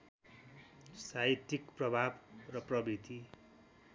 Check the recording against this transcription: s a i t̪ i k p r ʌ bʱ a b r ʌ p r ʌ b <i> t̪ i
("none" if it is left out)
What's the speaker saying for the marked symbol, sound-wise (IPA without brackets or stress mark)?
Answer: i